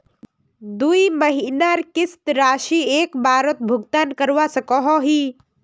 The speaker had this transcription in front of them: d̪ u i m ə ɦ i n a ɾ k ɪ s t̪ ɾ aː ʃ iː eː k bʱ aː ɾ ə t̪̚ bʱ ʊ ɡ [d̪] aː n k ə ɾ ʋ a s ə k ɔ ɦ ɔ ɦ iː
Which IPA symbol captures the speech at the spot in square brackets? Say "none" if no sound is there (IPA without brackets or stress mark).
t̪